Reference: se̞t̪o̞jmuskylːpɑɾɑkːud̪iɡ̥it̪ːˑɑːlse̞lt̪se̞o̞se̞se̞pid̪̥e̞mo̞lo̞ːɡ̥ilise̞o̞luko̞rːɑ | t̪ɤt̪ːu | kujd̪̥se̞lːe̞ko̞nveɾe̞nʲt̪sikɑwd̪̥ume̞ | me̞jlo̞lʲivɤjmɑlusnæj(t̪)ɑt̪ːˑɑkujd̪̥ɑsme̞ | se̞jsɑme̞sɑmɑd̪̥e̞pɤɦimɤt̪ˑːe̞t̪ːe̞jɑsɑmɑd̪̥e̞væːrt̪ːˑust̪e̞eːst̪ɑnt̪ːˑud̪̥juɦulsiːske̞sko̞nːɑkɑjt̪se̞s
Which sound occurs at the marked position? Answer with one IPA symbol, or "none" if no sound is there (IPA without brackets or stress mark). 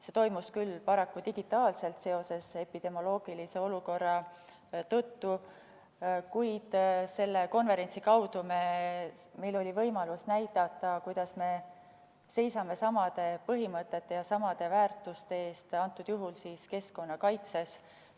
t̪